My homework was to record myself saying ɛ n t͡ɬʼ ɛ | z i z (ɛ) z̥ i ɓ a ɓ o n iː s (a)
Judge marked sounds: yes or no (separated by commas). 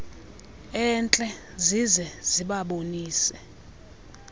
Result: yes, no